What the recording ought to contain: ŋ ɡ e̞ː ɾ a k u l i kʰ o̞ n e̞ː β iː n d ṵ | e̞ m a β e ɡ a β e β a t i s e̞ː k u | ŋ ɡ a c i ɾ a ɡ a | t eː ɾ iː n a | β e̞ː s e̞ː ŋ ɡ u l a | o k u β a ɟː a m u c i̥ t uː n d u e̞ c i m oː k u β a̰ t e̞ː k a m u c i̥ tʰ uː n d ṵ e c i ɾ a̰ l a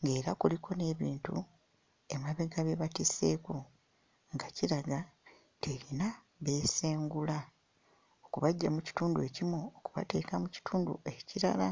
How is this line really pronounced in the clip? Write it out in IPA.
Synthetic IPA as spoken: ŋ ɡ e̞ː ɾ a k u l i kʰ o̞ n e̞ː β iː n t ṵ | e̞ m a β e ɡ a β e β a t i s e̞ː k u | ŋ ɡ a c i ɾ a ɡ a | t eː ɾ i n a | β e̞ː s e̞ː ŋ ɡ u l a | o k u β a ɟː a m u c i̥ t uː n d u e̞ c i m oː k u β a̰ t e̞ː k a m u c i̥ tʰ uː n d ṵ e c i ɾ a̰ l a